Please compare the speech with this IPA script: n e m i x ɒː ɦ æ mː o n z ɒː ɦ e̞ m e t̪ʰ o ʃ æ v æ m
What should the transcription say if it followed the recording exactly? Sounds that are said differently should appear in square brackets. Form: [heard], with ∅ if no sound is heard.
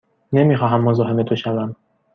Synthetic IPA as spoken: n e m i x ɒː ɦ æ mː o [∅] z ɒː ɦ e̞ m e t̪ʰ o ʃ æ v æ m